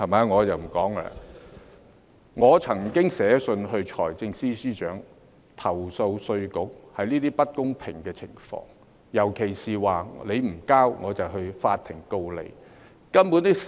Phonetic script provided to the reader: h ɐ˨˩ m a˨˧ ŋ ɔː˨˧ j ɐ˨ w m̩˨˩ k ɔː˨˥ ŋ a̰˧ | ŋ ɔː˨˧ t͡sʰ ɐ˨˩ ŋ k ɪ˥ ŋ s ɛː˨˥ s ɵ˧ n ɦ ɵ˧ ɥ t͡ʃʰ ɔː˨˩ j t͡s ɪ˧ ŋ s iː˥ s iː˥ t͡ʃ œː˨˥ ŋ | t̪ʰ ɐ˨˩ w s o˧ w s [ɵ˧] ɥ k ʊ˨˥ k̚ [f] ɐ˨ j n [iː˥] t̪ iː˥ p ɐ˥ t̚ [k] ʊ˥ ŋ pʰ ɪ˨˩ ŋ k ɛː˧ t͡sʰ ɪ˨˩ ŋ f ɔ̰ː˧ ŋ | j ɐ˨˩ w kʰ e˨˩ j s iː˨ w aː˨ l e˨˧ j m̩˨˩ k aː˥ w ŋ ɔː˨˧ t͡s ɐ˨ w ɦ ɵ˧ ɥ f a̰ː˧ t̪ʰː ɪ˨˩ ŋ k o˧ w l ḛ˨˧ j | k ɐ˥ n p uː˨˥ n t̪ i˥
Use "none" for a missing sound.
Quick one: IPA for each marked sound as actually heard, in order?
ɵ˧, h, iː˥, k

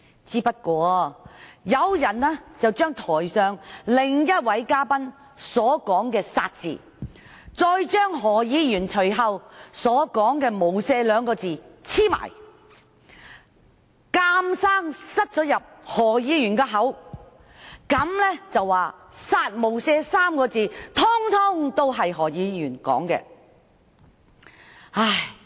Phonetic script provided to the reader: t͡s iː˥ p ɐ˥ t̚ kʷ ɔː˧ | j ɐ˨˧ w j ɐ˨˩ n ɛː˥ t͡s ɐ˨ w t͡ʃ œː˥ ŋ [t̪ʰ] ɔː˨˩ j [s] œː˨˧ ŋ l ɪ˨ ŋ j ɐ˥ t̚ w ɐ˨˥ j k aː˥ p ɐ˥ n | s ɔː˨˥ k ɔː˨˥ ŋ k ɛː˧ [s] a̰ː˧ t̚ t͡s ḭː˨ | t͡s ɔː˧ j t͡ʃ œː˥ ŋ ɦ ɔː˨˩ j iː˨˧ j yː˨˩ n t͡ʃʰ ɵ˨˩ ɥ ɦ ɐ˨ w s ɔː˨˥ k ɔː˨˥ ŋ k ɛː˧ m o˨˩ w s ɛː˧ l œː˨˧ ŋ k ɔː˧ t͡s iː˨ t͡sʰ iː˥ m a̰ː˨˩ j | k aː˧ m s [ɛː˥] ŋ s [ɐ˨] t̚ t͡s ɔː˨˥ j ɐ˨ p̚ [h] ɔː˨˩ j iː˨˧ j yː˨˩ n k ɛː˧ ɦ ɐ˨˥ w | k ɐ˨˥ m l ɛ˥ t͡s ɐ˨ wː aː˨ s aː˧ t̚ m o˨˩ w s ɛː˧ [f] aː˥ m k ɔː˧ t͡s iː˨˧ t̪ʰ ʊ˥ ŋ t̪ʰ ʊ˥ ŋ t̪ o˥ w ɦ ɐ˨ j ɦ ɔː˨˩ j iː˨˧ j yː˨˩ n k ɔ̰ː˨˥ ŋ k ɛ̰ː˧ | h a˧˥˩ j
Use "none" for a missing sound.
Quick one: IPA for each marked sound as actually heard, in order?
t̪ʰ, s, s, aː˥, ɐ˥, h, s

